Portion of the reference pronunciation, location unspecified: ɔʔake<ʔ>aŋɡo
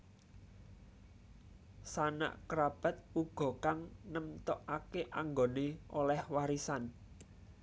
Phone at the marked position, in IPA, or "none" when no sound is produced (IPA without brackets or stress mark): ʔ